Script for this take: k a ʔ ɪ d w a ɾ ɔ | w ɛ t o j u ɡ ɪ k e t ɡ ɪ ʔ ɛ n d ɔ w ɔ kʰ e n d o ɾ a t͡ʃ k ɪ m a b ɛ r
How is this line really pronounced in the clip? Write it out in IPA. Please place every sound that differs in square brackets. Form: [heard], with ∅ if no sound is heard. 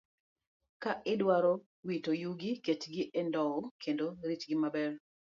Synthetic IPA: k a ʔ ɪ d w a ɾ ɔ | w [i] t o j u ɡ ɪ k e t ɡ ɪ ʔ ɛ n d ɔ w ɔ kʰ e n d o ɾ [i] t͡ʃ [ɡ] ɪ m a b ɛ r